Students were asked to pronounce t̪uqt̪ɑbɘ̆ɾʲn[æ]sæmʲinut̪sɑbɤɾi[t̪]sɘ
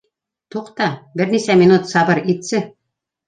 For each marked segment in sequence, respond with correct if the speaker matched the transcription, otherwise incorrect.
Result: incorrect: i, correct

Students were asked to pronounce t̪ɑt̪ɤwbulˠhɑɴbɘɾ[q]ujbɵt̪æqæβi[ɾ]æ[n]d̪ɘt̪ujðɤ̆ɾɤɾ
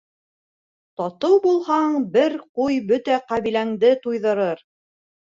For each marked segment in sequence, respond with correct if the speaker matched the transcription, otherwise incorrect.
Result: correct, incorrect: l, incorrect: ŋ

